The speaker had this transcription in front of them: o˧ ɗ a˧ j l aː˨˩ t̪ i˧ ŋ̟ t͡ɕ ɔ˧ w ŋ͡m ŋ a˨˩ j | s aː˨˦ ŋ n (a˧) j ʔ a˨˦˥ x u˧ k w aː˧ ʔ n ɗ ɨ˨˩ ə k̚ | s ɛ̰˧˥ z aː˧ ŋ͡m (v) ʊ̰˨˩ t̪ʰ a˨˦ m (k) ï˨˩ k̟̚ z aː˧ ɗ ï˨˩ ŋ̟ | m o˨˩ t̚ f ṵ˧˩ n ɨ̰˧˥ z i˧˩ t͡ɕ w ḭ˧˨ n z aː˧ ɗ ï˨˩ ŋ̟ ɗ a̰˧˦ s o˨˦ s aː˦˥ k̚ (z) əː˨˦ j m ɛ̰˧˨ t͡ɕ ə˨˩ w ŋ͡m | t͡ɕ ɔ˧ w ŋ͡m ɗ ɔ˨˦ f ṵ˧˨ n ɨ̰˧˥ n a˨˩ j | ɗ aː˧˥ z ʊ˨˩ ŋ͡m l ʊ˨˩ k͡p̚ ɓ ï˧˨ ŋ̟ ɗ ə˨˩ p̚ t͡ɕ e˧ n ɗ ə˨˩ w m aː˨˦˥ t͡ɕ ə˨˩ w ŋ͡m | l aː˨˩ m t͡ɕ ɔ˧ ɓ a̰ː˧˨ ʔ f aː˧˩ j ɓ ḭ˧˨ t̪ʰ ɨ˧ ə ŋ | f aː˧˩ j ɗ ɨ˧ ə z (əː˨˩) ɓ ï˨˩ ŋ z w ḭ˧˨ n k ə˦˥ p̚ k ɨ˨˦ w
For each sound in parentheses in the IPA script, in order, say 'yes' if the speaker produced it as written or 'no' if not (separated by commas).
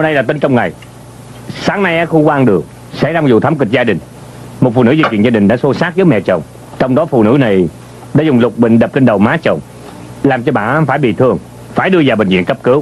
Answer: yes, no, yes, yes, no